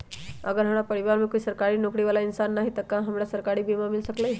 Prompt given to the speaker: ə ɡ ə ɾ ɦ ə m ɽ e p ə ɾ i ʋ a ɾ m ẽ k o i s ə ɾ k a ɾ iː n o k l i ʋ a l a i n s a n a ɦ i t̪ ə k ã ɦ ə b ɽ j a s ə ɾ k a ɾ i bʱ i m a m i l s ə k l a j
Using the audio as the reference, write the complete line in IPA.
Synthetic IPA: ə ɡ ə ɾ ɦ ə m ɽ a p ə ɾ i ʋ a ɾ m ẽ k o i s ə ɾ k a ɾ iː n o k ɽ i ʋ a l a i n s a nː a ɦ i t̪ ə k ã ɦ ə m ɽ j a s ə ɾ k a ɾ i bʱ i m a m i l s ə k l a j